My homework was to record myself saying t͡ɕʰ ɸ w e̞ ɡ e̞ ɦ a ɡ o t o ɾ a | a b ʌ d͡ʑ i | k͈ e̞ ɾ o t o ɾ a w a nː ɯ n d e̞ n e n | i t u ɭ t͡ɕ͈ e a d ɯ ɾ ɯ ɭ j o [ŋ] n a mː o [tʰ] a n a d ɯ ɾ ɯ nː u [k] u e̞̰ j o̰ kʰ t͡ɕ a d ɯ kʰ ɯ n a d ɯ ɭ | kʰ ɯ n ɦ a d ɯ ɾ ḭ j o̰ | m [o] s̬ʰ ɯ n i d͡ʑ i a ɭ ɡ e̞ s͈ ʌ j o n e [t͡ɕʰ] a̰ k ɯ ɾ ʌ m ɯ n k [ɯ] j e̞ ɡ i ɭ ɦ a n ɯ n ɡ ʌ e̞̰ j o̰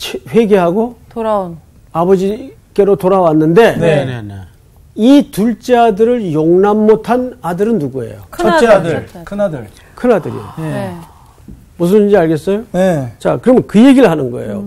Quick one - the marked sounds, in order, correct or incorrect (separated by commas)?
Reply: correct, correct, incorrect, incorrect, incorrect, correct